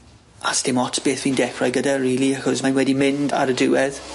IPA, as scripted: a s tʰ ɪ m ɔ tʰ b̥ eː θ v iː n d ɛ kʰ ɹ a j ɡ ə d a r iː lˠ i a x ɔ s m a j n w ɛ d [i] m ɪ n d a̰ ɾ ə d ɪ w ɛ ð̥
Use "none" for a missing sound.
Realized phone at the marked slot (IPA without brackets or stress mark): i